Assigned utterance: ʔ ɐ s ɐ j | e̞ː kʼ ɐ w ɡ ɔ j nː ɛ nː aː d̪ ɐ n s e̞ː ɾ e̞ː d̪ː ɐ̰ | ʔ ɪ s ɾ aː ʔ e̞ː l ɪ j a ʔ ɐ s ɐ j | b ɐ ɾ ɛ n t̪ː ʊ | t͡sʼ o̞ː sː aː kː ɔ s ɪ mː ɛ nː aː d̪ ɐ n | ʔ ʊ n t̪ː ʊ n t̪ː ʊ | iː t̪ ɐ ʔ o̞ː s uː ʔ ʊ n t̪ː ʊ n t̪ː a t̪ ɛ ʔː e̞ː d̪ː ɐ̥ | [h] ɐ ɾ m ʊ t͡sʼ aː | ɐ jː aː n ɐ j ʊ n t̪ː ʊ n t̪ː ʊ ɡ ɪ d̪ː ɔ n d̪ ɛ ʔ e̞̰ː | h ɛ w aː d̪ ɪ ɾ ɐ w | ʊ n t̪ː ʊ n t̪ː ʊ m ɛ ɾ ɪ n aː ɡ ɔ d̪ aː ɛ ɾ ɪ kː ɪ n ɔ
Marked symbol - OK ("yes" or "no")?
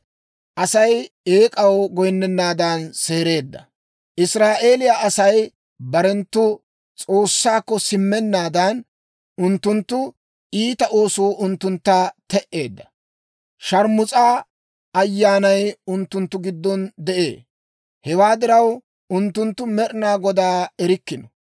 no